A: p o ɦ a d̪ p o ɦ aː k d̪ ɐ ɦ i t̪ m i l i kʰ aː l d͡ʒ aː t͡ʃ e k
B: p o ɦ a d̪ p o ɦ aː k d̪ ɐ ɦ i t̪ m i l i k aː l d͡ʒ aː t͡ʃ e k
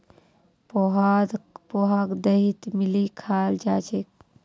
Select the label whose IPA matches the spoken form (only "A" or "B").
A